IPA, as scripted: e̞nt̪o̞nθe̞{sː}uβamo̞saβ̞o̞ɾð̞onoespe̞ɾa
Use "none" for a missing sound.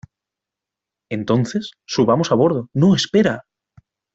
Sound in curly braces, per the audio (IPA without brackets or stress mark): sː